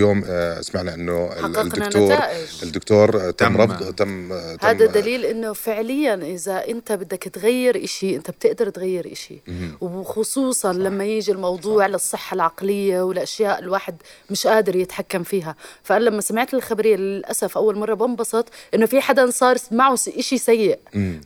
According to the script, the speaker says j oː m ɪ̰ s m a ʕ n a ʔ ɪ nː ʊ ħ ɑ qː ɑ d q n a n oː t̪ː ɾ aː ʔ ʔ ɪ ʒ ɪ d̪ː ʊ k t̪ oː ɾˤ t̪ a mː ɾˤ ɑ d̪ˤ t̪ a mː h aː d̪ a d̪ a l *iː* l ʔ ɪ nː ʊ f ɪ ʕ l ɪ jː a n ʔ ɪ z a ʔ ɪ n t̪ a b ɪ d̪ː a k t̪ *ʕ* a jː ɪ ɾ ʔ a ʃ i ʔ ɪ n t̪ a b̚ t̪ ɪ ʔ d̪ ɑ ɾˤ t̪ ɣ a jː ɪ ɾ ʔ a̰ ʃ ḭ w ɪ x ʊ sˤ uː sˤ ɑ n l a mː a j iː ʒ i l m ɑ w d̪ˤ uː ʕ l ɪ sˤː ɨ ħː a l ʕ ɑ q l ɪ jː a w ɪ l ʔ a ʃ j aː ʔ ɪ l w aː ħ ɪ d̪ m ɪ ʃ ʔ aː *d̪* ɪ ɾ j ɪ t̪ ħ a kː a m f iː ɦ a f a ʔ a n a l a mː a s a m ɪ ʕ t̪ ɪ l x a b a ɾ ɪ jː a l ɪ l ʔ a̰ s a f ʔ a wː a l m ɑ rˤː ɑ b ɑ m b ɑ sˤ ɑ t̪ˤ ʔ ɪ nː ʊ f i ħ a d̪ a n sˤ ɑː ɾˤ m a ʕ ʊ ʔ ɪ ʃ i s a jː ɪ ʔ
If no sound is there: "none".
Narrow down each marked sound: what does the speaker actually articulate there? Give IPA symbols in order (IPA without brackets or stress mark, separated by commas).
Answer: iː, ɣ, d̪